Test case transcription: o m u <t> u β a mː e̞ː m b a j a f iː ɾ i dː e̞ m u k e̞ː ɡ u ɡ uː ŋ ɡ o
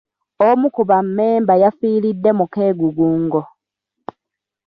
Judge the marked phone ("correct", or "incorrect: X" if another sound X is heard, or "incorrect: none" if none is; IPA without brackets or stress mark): incorrect: k